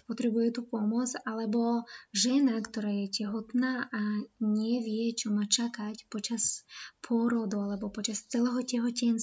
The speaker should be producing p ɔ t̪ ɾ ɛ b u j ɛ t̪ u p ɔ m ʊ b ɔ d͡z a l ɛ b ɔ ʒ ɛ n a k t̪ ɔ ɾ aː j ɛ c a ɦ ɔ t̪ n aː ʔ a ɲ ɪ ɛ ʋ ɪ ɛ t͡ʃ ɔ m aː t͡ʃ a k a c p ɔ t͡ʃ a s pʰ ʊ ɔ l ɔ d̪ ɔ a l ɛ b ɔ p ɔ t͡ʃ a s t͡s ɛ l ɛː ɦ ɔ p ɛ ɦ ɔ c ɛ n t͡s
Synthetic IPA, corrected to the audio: p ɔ t̪ ɾ ɛ b u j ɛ t̪ u p ɔ m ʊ ɔ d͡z a l ɛ b ɔ ʒ ɛ n a k t̪ ɔ ɾ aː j ɛ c ɛ ɦ ɔ t̪ n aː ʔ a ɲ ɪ ɛ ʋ ɪ ɛ t͡ʃ ɔ m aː t͡ʃ a k a c p ɔ t͡ʃ a s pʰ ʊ ɔ ɾ ɔ d̪ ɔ a l ɛ b ɔ p ɔ t͡ʃ a s t͡s ɛ l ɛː ɦ ɔ c ɛ ɦ ɔ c ɛ n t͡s